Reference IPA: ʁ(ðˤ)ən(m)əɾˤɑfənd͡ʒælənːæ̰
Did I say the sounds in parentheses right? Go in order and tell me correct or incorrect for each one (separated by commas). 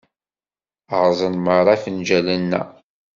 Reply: incorrect, correct